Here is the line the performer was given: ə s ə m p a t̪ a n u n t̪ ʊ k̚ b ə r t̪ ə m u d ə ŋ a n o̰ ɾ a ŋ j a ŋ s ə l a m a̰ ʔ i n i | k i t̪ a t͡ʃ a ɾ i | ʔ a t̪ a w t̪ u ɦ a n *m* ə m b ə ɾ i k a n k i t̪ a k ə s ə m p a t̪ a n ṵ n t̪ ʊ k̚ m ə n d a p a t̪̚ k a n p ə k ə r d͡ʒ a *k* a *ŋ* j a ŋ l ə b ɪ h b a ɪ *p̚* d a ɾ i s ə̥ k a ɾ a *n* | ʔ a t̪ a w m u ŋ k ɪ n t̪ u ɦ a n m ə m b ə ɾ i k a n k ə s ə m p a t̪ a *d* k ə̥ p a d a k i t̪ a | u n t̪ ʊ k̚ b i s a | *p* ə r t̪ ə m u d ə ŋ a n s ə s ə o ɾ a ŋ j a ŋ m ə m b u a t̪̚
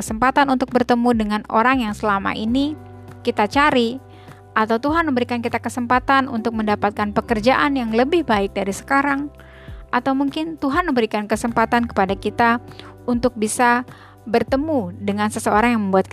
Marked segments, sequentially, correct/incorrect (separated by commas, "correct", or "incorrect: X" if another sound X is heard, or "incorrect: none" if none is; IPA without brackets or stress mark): correct, incorrect: ʔ, incorrect: n, incorrect: k̚, incorrect: ŋ, incorrect: n, incorrect: b